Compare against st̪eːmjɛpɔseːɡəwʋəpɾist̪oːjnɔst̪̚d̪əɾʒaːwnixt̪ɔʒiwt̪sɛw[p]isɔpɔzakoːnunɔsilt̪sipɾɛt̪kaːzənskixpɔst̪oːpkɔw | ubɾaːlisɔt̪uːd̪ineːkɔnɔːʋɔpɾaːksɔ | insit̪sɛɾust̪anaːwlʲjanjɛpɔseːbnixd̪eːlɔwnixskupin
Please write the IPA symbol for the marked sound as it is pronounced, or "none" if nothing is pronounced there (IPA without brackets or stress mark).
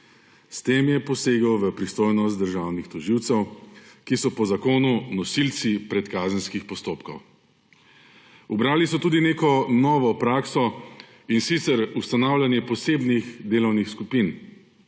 k